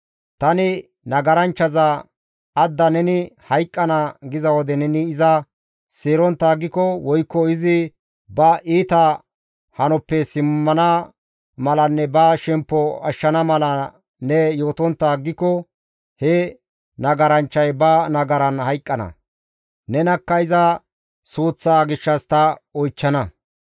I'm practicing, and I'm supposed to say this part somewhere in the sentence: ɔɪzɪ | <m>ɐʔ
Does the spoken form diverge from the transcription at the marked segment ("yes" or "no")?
yes